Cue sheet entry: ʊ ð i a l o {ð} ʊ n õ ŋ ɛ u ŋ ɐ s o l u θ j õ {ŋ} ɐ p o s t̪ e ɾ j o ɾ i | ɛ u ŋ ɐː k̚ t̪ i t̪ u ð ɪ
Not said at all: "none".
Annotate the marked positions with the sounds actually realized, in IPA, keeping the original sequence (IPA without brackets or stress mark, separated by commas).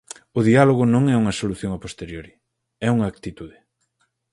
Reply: ɣ, ŋ